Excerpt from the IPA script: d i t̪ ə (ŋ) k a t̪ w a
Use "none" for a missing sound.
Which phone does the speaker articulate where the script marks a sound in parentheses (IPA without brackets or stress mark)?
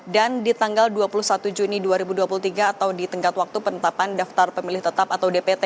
ŋ